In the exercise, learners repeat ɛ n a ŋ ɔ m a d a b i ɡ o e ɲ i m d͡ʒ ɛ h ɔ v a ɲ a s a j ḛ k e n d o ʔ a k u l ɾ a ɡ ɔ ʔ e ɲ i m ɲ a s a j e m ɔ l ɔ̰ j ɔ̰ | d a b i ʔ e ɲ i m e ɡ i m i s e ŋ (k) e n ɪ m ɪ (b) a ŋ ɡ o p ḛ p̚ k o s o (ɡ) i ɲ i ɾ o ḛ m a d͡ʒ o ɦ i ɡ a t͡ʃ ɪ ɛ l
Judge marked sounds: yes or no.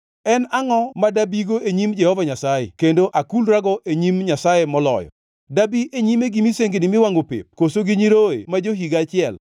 no, no, yes

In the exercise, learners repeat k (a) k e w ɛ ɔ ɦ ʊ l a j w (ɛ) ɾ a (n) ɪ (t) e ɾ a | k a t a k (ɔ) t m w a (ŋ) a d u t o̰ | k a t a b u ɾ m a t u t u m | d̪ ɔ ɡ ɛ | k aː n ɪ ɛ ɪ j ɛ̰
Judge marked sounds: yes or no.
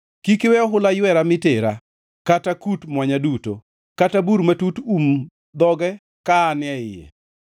no, yes, no, yes, no, no

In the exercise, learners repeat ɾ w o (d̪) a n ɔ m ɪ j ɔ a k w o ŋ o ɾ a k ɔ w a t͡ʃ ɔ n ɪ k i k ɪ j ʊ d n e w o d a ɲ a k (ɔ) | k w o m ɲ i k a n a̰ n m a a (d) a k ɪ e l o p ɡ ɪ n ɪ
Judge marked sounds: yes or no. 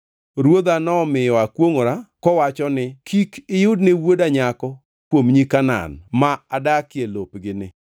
yes, yes, yes

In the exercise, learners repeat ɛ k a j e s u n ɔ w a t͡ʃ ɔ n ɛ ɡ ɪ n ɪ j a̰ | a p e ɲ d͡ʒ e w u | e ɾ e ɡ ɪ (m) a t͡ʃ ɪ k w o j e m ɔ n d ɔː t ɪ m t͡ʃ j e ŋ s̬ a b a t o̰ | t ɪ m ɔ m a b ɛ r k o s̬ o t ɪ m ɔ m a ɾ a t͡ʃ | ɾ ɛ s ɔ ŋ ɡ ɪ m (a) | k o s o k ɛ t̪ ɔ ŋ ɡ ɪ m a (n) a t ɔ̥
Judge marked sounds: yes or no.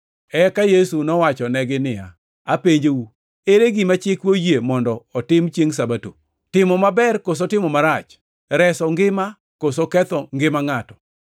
yes, yes, no

